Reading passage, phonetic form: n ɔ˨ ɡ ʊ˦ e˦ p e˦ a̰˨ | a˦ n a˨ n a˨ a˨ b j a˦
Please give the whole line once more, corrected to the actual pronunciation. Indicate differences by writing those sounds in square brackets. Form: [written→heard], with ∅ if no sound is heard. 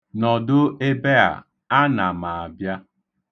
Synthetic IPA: n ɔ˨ [ɡ→d] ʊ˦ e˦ [p→b] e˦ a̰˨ | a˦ n a˨ [n→m] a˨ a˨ b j a˦